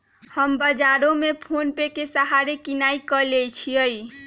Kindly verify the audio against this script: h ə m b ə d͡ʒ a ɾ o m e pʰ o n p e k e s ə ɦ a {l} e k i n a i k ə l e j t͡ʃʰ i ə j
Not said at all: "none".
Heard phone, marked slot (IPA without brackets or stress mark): ɾ